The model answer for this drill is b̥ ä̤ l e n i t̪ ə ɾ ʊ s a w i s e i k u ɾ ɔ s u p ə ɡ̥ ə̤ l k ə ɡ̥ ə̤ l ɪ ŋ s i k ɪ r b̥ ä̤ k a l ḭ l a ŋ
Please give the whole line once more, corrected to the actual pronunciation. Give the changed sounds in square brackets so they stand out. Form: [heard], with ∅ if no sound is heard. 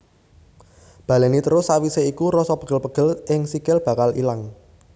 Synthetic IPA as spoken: b̥ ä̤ l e n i t̪ ə ɾ ʊ s a w i s e i k u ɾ ɔ s [ɔ] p ə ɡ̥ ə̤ l [p] ə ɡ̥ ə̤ l ɪ ŋ s i k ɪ [l] b̥ ä̤ k a l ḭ l a ŋ